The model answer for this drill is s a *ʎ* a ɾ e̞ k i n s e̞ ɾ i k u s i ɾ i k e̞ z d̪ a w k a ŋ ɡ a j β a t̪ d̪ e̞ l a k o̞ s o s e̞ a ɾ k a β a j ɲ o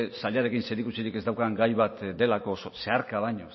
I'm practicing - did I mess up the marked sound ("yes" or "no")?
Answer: no